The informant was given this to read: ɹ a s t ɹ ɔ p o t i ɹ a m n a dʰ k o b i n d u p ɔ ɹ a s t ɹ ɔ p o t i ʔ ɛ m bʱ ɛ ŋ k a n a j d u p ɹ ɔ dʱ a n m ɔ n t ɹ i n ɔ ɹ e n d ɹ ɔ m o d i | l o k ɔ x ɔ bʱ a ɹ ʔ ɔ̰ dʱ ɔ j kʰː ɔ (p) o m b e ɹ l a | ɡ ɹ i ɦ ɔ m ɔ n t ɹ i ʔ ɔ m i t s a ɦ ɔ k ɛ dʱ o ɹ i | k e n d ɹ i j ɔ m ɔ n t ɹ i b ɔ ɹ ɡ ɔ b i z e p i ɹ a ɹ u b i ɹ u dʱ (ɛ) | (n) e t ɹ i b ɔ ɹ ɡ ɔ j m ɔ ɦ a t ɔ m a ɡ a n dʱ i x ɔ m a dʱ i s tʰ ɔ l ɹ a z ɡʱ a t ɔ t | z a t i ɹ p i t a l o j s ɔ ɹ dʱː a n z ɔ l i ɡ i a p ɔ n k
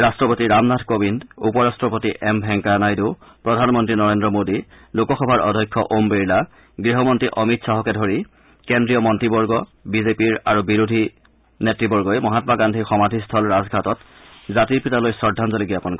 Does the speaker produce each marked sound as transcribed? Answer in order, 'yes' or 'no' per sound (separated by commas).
no, no, yes